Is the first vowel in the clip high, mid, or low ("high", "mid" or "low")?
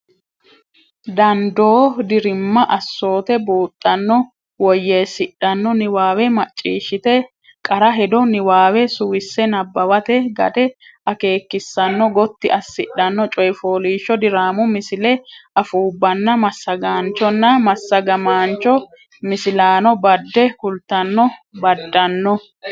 low